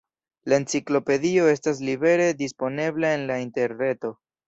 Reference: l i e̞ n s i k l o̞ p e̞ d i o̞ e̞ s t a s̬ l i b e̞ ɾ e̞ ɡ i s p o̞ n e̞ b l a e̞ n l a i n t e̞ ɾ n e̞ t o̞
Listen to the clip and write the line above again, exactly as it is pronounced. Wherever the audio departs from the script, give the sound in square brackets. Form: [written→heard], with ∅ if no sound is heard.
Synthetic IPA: l [i→a] e̞ n [s→t͡s] i k l o̞ p e̞ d i o̞ e̞ s t a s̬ l i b e̞ ɾ e̞ [ɡ→d] i s p o̞ n e̞ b l a e̞ n l a i n t e̞ ɾ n e̞ t o̞